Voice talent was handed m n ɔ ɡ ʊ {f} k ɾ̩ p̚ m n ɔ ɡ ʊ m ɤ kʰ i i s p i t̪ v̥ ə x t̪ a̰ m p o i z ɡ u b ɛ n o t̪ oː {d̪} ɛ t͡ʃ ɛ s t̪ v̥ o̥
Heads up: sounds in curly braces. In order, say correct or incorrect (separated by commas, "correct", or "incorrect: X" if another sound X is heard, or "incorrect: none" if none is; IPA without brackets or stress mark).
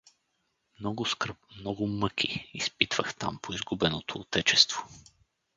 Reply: incorrect: s, incorrect: t̪